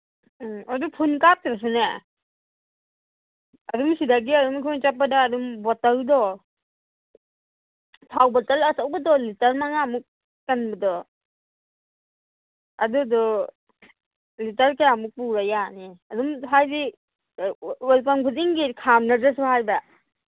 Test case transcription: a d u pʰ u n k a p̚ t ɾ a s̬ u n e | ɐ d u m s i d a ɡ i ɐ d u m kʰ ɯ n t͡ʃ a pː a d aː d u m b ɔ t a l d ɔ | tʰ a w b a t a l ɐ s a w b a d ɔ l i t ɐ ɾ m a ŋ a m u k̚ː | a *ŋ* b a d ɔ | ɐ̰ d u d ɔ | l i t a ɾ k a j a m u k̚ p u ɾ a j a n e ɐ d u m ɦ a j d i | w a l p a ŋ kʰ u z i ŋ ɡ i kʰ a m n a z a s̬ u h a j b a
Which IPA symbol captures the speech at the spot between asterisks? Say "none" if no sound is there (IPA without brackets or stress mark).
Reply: n